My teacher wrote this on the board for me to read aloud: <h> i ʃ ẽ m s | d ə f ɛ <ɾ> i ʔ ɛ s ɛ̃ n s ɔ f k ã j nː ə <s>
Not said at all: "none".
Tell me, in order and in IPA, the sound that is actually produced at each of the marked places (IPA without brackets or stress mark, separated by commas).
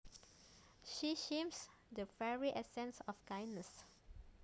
ʃ, ɹ, s